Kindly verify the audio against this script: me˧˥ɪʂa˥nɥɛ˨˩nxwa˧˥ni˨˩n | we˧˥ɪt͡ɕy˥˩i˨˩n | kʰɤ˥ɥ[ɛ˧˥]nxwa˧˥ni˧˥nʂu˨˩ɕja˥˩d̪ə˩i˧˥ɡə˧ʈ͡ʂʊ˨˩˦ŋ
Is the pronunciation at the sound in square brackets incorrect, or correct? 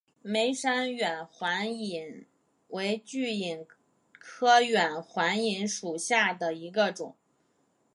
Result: incorrect